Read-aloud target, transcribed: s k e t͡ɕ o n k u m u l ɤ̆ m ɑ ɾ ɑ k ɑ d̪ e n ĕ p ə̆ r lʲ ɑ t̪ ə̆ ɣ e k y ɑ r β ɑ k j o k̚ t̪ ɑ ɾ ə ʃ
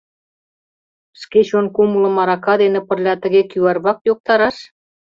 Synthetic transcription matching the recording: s k e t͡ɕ o n k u m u l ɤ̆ m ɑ ɾ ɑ k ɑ d̪ e n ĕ p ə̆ r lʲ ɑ t̪ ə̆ ɣ e k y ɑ r β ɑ k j o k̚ t̪ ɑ ɾ ɑ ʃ

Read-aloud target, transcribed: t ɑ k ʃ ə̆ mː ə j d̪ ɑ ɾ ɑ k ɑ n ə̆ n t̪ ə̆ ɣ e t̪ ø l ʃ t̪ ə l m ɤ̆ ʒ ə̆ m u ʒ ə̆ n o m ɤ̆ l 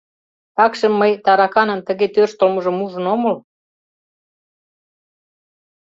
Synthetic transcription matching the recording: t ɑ k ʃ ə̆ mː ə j t̪ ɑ ɾ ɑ k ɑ n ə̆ n t̪ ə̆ ɣ e t̪ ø r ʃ t̪ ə l m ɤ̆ ʒ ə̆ m u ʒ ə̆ n o m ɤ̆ l

